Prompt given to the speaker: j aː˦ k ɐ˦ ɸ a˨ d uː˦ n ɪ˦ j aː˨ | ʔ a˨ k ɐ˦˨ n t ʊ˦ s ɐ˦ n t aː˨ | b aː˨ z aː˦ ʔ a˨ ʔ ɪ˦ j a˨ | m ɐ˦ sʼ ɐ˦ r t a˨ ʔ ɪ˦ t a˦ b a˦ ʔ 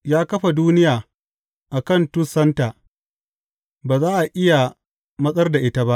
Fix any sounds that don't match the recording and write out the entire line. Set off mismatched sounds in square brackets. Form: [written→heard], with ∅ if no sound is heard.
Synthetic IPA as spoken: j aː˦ k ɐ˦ ɸ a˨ d uː˦ n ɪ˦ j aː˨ | ʔ a˨ k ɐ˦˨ n t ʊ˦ s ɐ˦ n t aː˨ | b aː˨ z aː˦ ʔ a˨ ʔ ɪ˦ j a˨ | m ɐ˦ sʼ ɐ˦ r [t→d] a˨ ʔ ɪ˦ t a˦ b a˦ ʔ

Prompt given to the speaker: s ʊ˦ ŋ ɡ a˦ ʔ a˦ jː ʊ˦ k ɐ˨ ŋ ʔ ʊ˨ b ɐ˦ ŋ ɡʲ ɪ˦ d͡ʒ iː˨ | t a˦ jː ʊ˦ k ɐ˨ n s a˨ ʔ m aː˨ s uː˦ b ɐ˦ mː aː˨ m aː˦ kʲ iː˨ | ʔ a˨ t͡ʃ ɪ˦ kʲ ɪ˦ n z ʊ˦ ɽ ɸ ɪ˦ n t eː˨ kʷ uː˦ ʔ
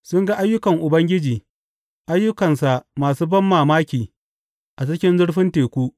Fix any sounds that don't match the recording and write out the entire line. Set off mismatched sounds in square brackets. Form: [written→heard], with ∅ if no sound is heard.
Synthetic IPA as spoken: s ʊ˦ ŋ ɡ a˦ ʔ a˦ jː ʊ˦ k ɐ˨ ŋ ʔ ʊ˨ b ɐ˦ ŋ ɡʲ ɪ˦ d͡ʒ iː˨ | [t→ʔ] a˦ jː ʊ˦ k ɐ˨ n s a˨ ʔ m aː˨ s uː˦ b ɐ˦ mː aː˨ m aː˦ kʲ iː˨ | ʔ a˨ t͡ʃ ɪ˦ kʲ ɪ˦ n z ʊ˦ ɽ ɸ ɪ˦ n t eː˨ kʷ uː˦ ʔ

